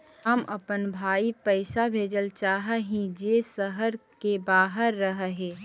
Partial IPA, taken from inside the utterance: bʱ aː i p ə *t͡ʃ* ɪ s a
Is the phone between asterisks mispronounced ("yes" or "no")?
yes